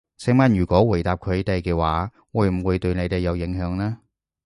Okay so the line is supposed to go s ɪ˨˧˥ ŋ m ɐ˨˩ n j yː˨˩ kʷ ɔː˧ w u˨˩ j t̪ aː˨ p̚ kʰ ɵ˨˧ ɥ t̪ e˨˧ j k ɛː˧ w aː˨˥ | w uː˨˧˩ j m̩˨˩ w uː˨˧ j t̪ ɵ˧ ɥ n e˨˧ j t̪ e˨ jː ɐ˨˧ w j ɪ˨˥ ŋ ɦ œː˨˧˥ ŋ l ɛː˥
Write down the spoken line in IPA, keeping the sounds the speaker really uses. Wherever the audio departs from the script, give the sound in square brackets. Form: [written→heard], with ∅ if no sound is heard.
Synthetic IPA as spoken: s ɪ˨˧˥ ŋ m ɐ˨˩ n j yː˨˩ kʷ [ɔː˧→ɔː˨˥] w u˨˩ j t̪ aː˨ p̚ kʰ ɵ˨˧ ɥ t̪ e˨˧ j k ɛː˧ w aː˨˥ | w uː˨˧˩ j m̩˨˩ w uː˨˧ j t̪ ɵ˧ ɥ n e˨˧ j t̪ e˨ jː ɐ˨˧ w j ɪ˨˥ ŋ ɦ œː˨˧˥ ŋ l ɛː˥